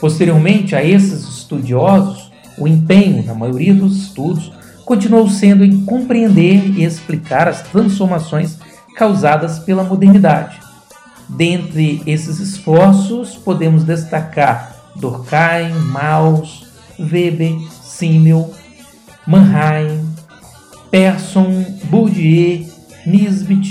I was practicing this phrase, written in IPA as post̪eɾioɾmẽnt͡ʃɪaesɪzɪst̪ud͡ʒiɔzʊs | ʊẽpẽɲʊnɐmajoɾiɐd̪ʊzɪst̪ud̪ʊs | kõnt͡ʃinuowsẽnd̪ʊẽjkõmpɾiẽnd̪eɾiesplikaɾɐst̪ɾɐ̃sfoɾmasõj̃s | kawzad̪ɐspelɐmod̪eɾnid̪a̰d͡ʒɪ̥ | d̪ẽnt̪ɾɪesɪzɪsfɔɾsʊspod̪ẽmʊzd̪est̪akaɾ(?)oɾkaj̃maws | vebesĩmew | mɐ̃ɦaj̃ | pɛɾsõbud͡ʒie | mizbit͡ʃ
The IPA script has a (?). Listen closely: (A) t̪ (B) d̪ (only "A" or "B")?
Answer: B